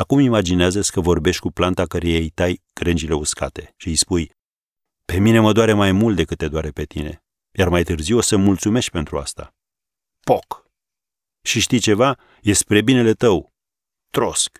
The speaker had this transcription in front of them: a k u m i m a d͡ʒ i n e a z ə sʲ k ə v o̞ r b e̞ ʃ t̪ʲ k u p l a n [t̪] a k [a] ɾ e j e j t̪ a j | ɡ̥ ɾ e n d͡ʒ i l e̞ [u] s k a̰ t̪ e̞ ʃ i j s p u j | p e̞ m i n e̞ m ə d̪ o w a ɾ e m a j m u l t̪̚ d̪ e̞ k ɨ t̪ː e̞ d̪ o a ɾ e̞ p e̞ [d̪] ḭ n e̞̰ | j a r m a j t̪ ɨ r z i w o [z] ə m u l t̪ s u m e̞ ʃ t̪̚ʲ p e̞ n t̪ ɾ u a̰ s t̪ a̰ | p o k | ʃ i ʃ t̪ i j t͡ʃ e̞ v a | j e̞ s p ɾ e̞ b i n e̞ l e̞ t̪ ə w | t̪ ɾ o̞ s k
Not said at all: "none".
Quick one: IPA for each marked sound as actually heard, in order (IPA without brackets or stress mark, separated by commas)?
t̪, ə, u, t̪, s